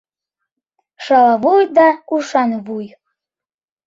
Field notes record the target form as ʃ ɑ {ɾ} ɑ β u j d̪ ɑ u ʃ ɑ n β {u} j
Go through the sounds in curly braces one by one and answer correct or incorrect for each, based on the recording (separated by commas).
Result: incorrect, correct